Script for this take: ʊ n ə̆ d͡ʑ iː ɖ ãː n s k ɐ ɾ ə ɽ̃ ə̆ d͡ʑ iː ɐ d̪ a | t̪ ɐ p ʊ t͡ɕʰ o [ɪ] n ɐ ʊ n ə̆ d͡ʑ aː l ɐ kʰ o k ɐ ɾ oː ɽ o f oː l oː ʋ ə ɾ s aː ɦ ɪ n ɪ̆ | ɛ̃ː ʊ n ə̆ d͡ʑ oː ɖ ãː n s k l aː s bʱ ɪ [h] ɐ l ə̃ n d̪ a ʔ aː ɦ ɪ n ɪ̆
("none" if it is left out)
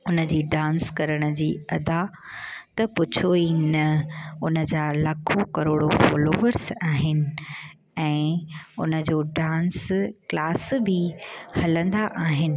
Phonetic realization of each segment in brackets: i, h

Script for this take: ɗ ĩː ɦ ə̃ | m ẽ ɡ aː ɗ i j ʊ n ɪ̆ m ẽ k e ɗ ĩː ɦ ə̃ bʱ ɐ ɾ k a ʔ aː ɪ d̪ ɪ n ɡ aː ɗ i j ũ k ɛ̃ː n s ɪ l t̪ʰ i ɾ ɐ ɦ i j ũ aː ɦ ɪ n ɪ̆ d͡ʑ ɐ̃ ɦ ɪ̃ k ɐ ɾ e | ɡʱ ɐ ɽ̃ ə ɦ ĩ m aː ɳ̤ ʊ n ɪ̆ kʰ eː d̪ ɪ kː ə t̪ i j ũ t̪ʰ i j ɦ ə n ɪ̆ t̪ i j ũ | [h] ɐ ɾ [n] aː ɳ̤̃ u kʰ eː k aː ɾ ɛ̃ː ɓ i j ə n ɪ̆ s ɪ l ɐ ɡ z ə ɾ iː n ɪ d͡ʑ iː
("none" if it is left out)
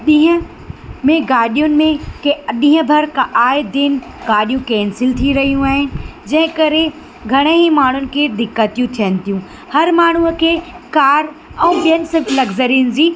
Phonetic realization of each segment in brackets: h, m

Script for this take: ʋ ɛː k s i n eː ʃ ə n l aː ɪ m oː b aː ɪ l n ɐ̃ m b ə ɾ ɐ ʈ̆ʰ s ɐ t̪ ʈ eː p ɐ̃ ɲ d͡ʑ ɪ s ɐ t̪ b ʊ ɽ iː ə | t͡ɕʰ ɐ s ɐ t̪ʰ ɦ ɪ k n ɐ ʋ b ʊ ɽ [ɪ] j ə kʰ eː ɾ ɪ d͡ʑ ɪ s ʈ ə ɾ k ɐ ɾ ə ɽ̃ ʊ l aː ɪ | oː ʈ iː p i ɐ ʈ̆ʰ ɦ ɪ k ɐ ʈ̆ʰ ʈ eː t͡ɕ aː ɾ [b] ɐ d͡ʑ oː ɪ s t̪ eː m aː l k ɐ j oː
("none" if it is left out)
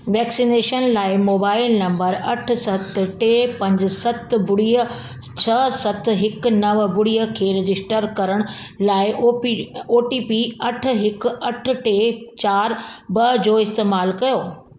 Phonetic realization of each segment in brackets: i, b

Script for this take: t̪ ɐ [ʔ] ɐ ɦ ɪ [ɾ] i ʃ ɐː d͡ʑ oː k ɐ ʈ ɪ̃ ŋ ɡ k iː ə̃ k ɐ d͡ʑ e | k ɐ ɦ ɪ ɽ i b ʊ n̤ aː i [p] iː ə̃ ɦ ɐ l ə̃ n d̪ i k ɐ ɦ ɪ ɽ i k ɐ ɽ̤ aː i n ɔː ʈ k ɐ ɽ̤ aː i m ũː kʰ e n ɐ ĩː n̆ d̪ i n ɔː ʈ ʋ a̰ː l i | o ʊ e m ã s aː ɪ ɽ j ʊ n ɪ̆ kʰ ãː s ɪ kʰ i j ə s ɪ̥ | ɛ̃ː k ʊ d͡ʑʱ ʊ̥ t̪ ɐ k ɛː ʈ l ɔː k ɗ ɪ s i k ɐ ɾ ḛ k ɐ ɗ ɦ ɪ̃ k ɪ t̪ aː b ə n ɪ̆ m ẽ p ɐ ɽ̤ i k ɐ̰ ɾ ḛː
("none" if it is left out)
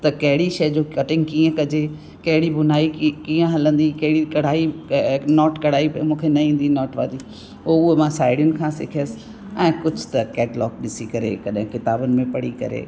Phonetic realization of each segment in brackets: k, ɽ, k

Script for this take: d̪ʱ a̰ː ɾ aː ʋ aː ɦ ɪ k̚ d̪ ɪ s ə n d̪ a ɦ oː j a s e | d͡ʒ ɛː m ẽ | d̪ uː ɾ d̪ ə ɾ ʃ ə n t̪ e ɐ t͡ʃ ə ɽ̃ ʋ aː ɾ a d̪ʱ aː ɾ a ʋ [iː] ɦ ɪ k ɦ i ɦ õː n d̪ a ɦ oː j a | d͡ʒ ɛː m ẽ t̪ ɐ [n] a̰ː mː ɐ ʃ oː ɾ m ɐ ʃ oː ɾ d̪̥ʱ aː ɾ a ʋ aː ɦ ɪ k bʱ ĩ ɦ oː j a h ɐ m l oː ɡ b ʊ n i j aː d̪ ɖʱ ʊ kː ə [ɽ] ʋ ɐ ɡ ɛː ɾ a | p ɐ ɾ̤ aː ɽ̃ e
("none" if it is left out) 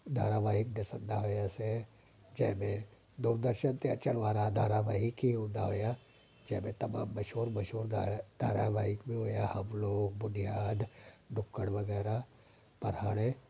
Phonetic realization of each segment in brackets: aː, m, ɽ

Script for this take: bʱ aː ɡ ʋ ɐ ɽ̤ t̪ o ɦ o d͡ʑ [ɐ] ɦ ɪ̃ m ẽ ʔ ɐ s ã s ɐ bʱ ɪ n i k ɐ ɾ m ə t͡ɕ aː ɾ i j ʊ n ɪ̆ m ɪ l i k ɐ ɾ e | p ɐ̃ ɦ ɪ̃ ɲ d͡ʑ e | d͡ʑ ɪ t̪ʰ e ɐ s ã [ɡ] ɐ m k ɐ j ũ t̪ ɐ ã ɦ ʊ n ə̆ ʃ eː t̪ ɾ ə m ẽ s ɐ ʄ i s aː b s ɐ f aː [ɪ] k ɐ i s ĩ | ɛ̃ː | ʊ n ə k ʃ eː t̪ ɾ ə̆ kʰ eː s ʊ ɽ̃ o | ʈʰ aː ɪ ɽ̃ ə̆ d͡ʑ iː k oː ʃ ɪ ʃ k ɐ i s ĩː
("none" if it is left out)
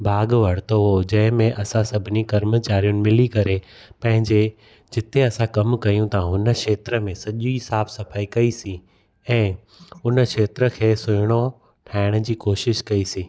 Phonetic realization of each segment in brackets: ɐ̃, k, i

